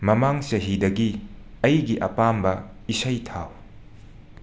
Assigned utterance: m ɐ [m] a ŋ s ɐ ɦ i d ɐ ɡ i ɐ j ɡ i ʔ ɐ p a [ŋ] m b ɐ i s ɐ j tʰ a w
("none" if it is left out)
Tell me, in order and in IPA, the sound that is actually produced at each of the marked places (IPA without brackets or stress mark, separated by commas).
m, none